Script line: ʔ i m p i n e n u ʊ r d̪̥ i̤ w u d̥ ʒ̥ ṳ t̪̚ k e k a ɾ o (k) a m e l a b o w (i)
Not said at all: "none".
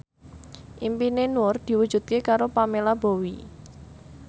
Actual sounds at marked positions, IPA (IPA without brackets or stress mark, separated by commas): p, i